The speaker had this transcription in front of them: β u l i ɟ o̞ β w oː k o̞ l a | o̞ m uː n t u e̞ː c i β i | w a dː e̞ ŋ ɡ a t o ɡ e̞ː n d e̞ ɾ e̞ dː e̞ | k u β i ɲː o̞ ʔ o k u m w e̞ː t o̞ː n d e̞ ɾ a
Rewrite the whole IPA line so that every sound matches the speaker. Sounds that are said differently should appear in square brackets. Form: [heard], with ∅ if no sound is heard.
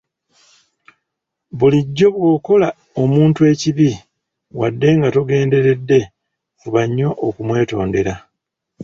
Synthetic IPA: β u l i [ɟː] o̞ β w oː k o̞ l a | o̞ m uː n t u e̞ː c i β i | w a dː e̞ ŋ ɡ a t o ɡ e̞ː n d e̞ ɾ e̞ dː e̞ | k u β [a] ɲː o̞ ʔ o k u m w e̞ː t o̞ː n d e̞ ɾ a